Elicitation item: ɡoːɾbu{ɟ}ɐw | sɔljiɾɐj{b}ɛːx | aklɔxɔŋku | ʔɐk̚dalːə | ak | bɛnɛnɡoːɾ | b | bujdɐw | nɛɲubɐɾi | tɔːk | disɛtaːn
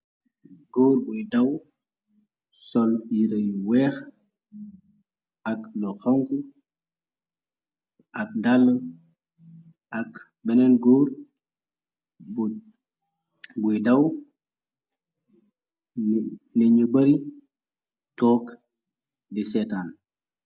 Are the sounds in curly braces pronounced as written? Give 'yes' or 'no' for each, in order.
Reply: no, no

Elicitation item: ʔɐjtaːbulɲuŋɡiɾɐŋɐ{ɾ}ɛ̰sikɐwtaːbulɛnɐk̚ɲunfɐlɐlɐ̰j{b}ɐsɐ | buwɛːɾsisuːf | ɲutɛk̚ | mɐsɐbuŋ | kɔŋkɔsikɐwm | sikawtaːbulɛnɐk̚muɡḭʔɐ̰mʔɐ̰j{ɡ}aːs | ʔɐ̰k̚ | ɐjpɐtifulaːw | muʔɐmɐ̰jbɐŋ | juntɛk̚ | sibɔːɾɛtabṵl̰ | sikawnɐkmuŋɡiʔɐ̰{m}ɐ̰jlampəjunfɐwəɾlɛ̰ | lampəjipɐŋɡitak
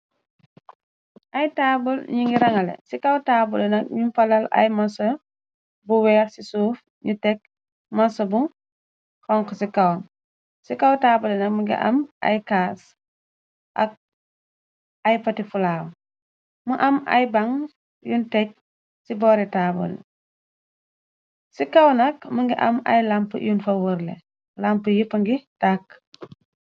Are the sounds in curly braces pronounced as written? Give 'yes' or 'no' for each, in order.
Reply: no, no, no, yes

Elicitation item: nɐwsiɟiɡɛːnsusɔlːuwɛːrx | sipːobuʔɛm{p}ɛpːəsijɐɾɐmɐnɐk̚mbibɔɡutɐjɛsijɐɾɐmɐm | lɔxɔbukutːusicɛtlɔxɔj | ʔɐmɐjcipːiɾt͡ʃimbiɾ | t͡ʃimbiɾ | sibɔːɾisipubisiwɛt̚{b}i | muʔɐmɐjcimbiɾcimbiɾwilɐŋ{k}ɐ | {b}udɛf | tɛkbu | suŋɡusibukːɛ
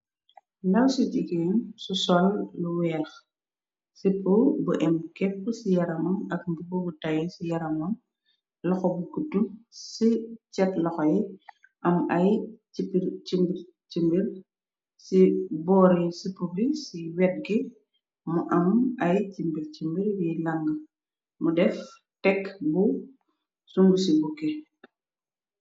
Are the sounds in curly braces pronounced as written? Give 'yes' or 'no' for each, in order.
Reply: no, no, no, no

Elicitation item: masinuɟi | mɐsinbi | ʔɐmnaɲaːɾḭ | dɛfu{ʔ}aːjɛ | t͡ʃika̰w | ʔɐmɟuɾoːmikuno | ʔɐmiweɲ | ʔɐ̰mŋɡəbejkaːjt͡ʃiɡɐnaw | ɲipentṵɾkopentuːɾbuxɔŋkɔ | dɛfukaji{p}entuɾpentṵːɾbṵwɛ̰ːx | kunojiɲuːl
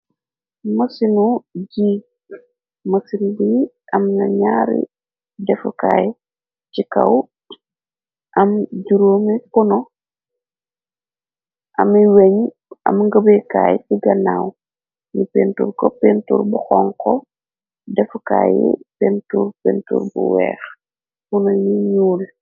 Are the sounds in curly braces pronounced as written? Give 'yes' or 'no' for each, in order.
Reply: no, yes

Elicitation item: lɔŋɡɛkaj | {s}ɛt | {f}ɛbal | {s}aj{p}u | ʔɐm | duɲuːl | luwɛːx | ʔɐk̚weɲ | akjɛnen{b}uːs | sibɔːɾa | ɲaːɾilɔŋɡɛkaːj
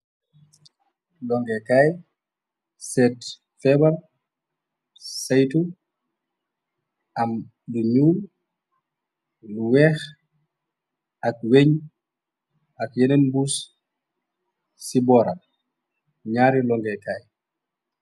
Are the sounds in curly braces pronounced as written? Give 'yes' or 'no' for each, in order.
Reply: yes, yes, yes, no, yes

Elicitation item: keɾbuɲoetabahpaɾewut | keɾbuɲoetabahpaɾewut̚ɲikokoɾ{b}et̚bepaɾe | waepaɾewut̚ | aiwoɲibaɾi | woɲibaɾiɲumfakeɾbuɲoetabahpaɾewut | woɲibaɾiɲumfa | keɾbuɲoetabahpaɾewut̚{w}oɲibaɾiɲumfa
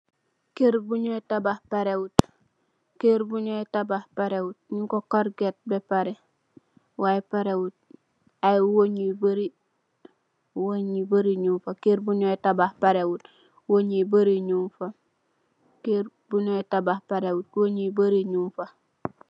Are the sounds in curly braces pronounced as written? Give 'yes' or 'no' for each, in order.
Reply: no, yes

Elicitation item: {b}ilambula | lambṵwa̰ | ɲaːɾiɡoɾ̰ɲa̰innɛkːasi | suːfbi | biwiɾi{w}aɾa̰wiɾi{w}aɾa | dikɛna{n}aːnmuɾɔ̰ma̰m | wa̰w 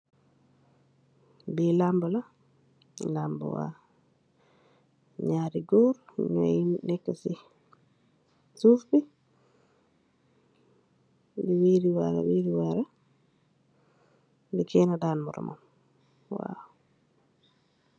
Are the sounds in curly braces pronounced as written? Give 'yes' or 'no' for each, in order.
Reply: yes, yes, yes, no

